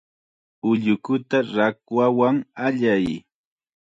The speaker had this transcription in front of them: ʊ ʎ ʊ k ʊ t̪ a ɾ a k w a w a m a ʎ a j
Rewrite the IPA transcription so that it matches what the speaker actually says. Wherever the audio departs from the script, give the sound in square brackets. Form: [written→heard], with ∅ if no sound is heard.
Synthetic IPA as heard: ʊ ʎ ʊ k ʊ t̪ a ɾ a k w a w a [m→ŋ] a ʎ a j